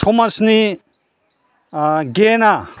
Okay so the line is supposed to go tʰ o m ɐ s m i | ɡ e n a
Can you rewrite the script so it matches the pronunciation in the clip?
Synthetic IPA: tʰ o m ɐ s n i | ɡ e n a